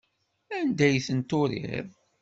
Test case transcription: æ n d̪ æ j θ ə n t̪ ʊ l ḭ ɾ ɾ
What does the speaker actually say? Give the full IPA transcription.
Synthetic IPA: æ n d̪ æ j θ ə n t̪ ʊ ɾ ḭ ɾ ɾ